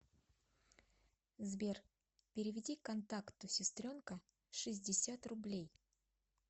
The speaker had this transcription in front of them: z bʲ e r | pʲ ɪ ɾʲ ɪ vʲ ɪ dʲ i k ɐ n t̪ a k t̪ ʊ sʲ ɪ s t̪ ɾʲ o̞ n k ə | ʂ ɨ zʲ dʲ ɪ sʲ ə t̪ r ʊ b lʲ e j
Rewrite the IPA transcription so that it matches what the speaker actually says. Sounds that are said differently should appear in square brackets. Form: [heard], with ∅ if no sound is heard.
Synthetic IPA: z bʲ e r | pʲ ɪ ɾʲ ɪ vʲ ɪ dʲ i k ɐ n t̪ a k t̪ ʊ sʲ ɪ s t̪ ɾʲ o̞ n k ə | ʂ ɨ zʲ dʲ ɪ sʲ [a] t̪ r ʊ b lʲ e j